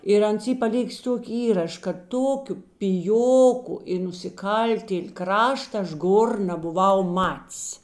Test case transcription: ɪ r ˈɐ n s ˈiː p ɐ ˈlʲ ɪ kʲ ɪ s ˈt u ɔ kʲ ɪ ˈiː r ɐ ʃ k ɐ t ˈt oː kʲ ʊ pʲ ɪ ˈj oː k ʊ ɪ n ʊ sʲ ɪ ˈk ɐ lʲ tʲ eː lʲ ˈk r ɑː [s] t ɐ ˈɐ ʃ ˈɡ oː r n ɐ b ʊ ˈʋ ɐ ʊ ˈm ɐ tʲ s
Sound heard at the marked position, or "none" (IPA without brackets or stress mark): ʃ